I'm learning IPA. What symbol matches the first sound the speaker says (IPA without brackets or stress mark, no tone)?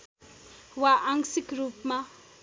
w